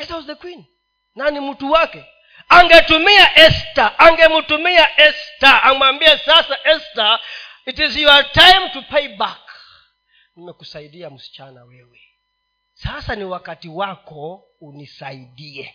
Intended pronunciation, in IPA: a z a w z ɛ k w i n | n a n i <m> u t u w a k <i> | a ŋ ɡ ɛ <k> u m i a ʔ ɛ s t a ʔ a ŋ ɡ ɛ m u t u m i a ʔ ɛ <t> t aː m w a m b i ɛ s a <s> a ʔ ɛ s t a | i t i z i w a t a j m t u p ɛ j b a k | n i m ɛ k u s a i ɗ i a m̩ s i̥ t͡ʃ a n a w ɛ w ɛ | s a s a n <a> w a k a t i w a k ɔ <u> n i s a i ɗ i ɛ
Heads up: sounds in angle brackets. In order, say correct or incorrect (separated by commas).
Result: correct, incorrect, incorrect, incorrect, correct, incorrect, correct